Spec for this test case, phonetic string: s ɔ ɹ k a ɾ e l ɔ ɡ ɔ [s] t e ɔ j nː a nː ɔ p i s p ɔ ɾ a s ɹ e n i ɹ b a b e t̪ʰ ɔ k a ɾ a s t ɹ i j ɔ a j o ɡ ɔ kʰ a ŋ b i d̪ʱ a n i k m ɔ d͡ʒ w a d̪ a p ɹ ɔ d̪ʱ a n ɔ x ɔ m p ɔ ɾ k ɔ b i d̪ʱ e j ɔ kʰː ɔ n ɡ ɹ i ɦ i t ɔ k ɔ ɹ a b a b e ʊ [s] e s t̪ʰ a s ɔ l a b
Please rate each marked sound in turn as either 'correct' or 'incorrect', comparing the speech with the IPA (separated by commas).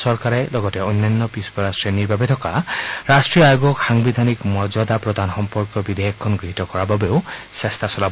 incorrect, correct